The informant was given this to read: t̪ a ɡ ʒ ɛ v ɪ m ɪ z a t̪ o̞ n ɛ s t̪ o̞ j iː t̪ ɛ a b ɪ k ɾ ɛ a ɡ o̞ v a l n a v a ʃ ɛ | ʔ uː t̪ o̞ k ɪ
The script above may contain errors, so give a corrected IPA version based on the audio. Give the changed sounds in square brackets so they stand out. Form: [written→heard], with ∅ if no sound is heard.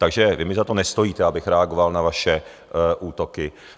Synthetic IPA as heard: t̪ a ɡ ʒ ɛ v ɪ m ɪ z a t̪ o̞ n ɛ s t̪ o̞ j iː t̪ ɛ a b ɪ [k→x] ɾ ɛ a ɡ o̞ v a l n a v a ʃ ɛ | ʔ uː t̪ o̞ k ɪ